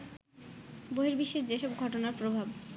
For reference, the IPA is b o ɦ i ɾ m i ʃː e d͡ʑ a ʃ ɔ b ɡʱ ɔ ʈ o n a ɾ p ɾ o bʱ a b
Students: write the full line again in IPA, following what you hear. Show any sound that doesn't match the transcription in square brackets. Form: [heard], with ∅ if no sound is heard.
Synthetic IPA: b o ɦ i ɾ [b] i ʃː e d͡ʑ [e] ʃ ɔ b ɡʱ ɔ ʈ o n a ɾ p ɾ o bʱ a b